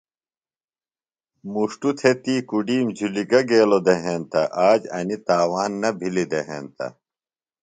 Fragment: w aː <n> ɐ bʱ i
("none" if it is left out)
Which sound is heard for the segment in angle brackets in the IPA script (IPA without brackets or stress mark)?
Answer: nː